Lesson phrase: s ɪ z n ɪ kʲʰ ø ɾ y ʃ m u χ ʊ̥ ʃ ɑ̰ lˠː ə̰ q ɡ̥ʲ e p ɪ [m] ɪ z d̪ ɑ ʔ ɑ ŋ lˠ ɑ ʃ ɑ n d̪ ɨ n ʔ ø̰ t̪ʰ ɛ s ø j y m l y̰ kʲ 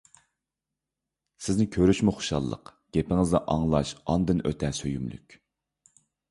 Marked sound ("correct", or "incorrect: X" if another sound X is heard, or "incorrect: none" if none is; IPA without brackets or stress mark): incorrect: ŋ